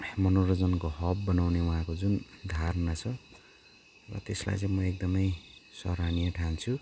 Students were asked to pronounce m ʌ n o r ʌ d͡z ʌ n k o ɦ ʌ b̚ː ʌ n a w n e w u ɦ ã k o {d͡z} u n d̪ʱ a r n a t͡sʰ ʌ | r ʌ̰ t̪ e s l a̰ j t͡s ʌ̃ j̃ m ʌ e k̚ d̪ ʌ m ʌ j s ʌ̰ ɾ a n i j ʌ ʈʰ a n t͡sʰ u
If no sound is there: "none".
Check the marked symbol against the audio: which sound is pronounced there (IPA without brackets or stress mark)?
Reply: d͡z